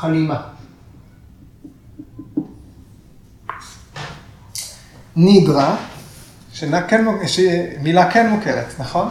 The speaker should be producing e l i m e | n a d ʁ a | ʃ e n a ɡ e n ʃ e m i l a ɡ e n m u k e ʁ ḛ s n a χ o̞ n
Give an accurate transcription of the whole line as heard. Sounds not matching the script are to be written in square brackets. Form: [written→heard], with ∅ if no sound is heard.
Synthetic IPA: [e→a] l i m [e→a] | n [a→i] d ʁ a | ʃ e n a [ɡ→k] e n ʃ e m i l a [ɡ→k] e n m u k e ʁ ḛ [s→t] n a χ o̞ n